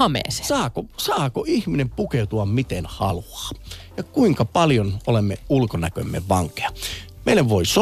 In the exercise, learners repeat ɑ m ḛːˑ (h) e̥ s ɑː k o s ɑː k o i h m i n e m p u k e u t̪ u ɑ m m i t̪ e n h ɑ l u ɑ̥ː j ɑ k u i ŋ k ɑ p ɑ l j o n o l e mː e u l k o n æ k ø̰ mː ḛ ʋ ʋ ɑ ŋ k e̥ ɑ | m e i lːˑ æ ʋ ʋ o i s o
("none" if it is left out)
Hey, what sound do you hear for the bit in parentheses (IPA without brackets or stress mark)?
s